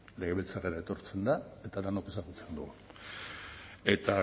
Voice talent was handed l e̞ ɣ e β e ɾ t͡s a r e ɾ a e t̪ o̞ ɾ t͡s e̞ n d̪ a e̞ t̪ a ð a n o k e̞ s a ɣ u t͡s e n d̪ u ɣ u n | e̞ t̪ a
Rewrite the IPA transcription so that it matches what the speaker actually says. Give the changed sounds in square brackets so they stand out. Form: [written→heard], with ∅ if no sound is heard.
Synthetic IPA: l e̞ ɣ e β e [ɾ→l] t͡s a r e ɾ a e t̪ o̞ ɾ t͡s e̞ n d̪ a e̞ t̪ a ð a n o k e̞ s a ɣ u t͡s e n d̪ u ɣ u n | e̞ t̪ a